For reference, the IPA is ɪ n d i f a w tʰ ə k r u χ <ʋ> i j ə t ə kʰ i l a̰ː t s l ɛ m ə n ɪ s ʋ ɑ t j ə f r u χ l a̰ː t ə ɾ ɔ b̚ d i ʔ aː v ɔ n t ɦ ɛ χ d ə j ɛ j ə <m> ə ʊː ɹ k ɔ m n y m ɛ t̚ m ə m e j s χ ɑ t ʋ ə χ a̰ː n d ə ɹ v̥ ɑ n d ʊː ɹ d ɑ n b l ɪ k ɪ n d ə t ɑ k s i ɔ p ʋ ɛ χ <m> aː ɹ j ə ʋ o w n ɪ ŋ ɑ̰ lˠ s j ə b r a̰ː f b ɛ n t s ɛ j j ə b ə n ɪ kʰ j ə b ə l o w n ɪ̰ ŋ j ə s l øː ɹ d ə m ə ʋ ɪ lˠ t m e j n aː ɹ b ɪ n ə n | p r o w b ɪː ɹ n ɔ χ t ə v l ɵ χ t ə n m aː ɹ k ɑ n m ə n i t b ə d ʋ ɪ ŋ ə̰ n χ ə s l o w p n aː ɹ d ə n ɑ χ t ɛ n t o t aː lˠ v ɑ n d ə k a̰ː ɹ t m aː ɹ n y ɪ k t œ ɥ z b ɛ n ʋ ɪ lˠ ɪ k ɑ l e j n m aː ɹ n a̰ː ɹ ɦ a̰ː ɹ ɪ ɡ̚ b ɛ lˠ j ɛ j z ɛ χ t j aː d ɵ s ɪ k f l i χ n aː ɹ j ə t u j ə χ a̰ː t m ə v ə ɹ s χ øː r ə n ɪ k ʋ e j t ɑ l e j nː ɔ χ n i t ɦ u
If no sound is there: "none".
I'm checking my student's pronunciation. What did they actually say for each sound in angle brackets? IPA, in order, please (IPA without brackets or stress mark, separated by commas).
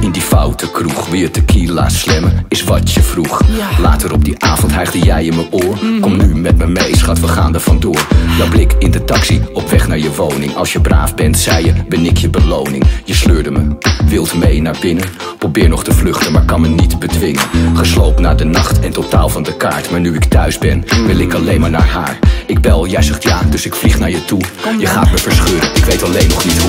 ʋ, m, n